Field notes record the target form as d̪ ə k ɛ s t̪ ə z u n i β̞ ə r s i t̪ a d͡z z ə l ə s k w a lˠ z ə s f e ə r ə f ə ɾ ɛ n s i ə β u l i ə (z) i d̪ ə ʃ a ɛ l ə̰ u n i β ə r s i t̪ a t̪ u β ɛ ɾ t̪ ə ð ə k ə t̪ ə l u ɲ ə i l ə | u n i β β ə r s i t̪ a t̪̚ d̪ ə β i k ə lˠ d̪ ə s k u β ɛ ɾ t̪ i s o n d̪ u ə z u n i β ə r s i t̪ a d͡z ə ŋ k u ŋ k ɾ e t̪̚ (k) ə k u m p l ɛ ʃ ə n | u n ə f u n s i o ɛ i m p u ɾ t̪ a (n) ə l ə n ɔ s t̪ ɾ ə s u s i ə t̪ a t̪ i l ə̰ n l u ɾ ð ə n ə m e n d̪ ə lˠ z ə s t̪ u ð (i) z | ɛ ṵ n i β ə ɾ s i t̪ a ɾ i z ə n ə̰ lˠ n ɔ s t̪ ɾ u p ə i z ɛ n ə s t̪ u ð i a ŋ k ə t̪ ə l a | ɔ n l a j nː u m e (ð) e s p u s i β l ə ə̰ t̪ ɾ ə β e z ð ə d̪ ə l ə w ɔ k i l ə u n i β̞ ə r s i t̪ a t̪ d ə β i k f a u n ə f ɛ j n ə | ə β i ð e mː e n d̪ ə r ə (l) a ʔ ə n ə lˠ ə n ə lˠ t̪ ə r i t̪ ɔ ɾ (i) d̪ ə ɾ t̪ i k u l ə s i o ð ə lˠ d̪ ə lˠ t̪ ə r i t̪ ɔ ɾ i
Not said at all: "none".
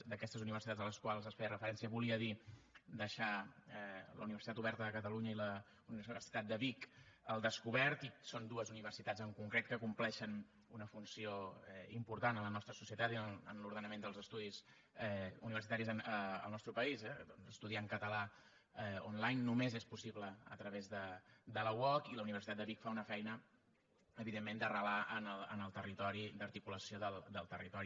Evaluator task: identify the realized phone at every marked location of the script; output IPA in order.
ð, k, n, i, z, l, i

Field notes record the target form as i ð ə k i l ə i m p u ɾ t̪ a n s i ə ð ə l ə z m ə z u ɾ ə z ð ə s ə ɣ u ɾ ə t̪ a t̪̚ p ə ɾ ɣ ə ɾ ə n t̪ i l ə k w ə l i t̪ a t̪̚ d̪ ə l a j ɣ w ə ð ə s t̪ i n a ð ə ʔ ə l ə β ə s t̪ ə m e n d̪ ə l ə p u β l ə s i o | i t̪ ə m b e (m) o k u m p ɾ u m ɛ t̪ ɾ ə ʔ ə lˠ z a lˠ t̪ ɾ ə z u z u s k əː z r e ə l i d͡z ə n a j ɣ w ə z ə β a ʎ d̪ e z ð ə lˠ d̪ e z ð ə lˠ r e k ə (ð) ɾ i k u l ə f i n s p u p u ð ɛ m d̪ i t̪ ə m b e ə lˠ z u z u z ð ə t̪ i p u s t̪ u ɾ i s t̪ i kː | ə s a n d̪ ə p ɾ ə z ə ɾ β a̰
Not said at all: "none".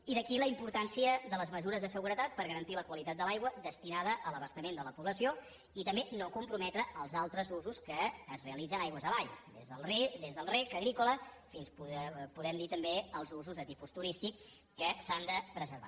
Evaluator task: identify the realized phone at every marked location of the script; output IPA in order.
n, ɣ

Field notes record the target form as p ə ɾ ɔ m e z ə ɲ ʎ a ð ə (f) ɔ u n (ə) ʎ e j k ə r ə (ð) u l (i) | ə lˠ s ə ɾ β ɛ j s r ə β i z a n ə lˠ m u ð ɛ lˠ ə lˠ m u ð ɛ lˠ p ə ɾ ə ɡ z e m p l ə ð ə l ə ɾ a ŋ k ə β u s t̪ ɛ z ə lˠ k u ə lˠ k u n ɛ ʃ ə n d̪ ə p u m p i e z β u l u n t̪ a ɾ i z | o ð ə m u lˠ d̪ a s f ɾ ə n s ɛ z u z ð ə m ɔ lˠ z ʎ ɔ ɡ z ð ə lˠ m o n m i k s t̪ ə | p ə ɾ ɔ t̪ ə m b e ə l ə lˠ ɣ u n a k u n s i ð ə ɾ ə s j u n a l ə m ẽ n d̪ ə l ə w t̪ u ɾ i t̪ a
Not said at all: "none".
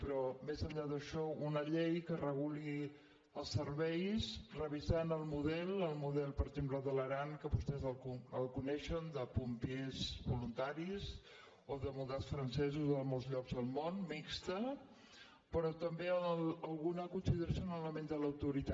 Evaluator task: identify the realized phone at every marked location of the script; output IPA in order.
ʃ, ə, ɣ, i

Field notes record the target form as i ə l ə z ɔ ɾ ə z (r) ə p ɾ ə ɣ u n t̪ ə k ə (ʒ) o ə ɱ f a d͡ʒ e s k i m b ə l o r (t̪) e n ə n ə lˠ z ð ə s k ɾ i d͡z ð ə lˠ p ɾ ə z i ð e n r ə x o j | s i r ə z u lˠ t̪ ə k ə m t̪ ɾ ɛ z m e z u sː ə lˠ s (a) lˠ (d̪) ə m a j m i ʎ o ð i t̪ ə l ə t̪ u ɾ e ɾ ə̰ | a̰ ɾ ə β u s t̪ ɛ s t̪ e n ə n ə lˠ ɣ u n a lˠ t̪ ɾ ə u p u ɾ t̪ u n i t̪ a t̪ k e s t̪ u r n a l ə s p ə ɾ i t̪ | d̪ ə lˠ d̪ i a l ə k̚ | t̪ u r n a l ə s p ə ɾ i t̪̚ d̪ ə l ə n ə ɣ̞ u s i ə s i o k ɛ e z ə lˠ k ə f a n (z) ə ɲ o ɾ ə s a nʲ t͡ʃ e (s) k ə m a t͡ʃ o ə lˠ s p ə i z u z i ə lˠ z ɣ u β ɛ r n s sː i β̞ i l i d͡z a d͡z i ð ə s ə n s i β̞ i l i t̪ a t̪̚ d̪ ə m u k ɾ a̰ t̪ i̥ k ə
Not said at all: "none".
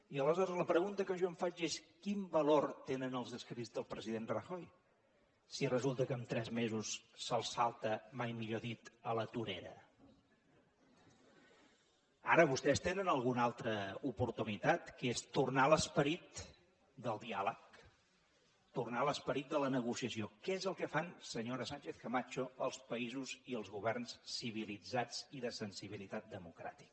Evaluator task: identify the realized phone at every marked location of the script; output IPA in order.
l, ʒ, t̪, a, t̪, s, θ

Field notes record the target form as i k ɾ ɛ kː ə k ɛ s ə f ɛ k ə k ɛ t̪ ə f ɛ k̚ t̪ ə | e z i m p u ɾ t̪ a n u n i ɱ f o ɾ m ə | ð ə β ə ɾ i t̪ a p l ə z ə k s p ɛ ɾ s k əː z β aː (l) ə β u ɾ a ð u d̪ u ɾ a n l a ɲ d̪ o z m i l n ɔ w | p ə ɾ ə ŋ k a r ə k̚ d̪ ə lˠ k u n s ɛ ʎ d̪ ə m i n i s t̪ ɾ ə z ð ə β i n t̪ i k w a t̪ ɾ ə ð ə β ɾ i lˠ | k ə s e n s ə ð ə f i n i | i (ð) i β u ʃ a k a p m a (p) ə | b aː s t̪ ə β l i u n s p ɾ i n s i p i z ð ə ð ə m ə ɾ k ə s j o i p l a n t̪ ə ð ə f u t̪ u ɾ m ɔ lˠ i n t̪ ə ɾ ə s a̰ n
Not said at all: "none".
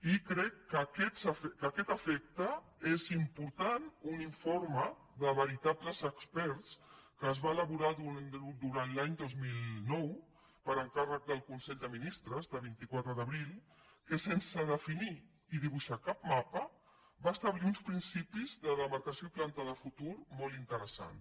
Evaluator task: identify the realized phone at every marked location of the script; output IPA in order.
l, ð, p

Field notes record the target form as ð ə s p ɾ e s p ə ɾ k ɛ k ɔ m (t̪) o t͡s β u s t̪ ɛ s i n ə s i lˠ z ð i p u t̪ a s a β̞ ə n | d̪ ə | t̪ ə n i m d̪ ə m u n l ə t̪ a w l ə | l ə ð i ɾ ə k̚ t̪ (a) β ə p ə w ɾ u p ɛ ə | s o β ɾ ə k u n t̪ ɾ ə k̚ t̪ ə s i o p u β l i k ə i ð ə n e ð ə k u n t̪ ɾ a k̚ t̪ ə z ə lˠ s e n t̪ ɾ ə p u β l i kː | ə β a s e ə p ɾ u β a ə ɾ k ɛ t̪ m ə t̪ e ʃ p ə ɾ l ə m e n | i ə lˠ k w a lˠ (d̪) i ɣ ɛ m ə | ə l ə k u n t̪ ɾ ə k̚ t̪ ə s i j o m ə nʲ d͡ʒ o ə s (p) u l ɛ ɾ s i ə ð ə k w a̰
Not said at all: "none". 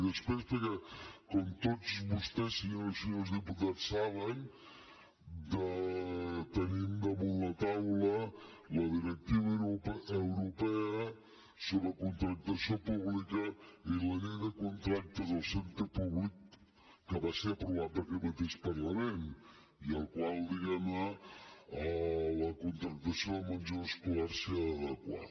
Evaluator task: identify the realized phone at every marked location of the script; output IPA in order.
t̪, i, d̪, k

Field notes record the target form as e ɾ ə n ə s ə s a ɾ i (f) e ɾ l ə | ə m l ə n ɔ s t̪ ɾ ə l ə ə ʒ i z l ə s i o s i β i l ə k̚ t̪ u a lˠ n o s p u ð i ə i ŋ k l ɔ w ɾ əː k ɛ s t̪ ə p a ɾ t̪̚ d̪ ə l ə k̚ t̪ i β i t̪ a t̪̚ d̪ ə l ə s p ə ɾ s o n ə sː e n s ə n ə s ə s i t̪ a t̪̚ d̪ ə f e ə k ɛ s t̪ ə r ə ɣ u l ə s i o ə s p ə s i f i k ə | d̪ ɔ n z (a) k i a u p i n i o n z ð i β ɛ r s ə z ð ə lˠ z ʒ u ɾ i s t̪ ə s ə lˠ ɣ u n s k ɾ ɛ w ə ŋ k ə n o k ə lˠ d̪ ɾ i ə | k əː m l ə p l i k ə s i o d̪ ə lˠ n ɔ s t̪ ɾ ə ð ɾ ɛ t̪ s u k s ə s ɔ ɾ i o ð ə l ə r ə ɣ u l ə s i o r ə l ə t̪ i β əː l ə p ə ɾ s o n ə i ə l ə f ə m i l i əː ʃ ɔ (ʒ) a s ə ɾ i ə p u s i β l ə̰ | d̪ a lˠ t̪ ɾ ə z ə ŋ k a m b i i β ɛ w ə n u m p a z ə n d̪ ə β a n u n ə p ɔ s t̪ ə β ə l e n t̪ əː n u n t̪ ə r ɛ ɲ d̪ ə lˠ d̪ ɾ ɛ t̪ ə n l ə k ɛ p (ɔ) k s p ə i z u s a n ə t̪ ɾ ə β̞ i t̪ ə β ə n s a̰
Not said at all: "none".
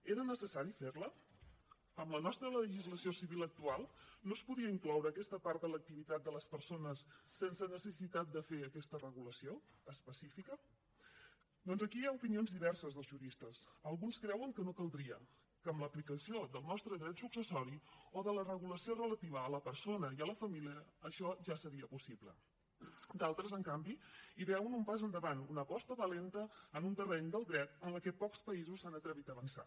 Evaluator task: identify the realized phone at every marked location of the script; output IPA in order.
f, ə, ʒ, ɔ

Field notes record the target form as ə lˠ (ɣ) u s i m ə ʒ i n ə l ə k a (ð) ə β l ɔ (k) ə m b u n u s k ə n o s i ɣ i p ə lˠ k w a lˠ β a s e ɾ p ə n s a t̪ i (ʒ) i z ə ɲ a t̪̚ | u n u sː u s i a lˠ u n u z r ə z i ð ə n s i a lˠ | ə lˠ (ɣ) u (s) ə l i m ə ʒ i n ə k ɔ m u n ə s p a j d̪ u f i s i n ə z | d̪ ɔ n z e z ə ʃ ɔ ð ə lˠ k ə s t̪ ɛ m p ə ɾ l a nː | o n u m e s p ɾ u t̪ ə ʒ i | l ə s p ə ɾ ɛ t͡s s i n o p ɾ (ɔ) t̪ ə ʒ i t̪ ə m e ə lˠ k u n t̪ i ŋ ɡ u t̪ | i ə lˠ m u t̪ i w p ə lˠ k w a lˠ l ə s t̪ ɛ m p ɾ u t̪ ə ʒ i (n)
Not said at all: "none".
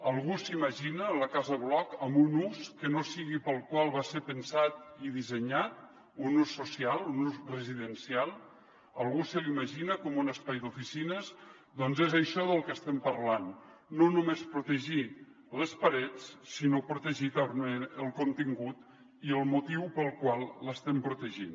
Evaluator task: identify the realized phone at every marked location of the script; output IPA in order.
ɣ, z, k, ð, ɣ, s, u, n

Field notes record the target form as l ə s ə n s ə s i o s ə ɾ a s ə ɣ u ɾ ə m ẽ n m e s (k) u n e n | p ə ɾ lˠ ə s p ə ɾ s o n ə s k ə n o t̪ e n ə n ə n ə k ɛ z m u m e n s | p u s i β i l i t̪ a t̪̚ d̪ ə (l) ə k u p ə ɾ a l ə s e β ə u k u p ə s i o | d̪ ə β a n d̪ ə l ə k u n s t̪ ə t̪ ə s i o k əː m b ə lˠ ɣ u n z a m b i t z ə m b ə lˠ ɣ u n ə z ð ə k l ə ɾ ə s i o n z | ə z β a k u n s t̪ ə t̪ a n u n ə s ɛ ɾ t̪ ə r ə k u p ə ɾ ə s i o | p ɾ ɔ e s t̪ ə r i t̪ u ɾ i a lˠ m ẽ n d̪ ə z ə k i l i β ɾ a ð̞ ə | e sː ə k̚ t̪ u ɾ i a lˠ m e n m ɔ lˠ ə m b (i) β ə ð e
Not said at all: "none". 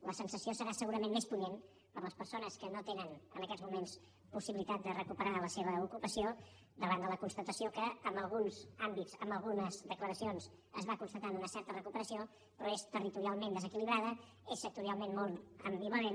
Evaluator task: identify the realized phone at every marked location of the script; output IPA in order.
p, r, i

